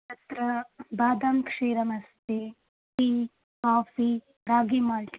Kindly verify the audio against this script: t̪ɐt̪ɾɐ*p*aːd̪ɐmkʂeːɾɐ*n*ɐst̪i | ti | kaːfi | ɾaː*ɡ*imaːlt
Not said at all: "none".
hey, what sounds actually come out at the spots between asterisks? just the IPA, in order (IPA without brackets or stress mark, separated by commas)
b, m, ɡ